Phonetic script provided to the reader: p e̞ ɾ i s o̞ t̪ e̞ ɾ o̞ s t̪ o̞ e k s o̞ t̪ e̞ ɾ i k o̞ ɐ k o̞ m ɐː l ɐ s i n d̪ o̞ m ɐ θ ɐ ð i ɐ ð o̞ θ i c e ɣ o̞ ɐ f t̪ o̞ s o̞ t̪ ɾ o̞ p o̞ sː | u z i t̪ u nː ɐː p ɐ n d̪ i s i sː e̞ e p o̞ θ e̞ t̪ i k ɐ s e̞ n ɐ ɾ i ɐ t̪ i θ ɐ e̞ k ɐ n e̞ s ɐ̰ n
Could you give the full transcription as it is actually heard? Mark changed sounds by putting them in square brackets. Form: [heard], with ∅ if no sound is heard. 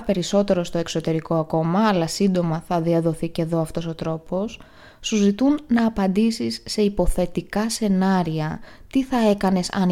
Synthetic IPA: p e̞ ɾ i s o̞ t̪ e̞ ɾ o̞ s t̪ o̞ e k s o̞ t̪ e̞ ɾ i k o̞ ɐ k o̞ m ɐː l ɐ s i n d̪ o̞ m ɐ θ ɐ ð i ɐ ð o̞ θ i c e [ð] o̞ ɐ f t̪ o̞ s o̞ t̪ ɾ o̞ p o̞ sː | u z i t̪ u nː ɐː p ɐ n d̪ i s i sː e̞ [i] p o̞ θ e̞ t̪ i k ɐ s e̞ n ɐ ɾ i ɐ t̪ i θ ɐ e̞ k ɐ n e̞ s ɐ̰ n